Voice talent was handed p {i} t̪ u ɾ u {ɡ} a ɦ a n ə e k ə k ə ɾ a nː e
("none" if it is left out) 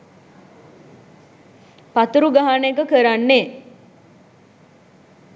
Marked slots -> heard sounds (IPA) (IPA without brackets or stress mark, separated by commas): a, ɡ